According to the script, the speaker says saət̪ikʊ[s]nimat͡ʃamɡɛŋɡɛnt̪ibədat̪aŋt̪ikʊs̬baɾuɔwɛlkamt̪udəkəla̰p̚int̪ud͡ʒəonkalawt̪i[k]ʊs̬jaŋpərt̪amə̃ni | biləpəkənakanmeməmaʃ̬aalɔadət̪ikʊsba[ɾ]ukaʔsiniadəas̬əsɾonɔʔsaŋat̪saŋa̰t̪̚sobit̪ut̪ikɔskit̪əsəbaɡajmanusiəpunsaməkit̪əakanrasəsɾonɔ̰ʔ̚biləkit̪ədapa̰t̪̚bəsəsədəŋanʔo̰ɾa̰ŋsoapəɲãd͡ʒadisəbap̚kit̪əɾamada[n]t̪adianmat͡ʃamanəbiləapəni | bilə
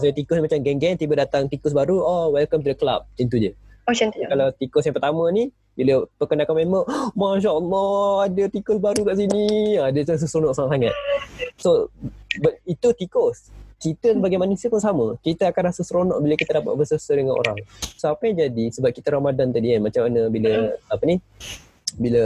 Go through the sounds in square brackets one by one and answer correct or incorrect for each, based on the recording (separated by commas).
correct, correct, correct, correct